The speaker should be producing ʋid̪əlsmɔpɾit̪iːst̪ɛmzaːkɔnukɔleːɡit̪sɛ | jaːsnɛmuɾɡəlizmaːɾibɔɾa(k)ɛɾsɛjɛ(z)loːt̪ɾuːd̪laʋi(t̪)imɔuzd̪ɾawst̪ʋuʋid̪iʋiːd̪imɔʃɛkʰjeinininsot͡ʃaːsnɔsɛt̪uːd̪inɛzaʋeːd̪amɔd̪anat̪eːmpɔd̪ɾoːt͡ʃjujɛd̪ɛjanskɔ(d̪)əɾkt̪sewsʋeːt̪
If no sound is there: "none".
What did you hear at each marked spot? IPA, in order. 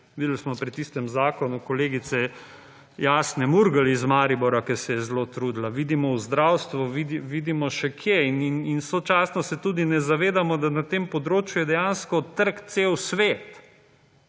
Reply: k, z, d̪, t̪

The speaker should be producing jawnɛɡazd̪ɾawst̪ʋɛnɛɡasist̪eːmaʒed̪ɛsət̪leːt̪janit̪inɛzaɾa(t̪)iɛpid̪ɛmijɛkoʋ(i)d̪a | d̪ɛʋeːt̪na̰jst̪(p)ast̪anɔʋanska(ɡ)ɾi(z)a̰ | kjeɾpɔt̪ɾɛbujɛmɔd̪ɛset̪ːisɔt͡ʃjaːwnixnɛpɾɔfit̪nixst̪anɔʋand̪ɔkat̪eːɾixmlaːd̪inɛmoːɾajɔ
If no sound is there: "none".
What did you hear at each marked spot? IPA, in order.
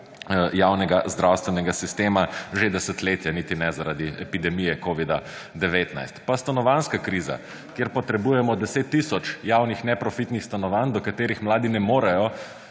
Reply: d̪, i, p, k, z

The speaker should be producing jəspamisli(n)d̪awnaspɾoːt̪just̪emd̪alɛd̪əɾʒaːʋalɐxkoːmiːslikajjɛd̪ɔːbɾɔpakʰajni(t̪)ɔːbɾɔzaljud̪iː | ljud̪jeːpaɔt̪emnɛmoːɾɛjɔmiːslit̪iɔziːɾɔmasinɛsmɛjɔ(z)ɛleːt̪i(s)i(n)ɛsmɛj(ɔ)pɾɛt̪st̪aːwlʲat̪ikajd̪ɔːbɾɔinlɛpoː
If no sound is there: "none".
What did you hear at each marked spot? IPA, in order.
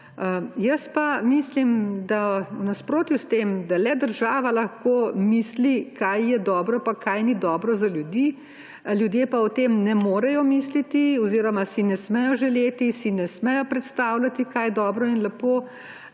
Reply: m, d̪, ʒ, s, n, ɔ

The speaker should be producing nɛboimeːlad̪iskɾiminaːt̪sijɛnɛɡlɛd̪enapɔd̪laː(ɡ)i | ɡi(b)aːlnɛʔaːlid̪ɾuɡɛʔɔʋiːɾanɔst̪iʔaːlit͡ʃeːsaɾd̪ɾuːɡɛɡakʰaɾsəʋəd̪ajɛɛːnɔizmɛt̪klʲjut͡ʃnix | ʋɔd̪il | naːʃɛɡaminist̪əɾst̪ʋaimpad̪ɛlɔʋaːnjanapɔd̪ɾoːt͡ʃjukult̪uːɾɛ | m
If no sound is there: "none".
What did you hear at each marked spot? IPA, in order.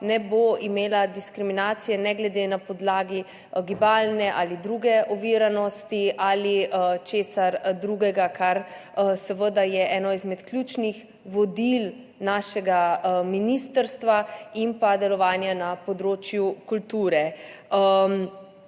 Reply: ɡ, b

